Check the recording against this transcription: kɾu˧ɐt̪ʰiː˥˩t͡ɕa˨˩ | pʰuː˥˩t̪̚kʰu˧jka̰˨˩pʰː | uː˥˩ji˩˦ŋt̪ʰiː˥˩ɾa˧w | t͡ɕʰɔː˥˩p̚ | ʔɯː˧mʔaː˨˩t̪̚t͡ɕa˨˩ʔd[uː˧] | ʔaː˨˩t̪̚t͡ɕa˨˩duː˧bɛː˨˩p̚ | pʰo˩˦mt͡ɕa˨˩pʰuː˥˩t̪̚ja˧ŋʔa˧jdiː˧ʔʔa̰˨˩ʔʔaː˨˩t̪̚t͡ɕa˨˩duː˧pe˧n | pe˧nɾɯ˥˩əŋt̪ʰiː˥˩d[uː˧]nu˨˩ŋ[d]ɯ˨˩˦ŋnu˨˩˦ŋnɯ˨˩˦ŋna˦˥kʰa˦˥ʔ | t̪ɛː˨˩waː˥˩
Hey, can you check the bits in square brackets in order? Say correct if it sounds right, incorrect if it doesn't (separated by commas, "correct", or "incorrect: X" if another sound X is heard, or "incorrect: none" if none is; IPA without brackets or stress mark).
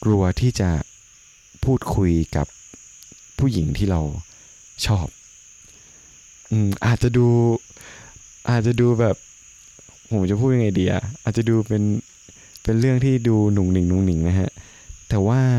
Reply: correct, correct, incorrect: n